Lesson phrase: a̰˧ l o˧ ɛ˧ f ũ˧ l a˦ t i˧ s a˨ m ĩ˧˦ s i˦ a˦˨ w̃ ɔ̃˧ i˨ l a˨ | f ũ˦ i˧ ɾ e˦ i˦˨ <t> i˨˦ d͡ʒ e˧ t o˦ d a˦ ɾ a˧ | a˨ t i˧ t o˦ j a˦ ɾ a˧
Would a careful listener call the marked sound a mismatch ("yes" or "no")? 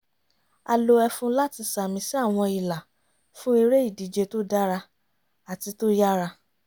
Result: yes